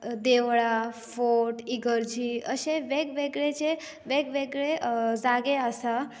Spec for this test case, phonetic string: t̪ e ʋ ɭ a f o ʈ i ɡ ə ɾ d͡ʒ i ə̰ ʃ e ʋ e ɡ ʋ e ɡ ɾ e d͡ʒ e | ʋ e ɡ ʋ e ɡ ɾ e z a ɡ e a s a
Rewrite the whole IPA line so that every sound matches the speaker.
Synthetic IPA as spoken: d̪ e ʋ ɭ a f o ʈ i ɡ ə ɾ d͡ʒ i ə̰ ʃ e ʋ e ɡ ʋ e ɡ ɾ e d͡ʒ e | ʋ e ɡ ʋ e ɡ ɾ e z a ɡ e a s a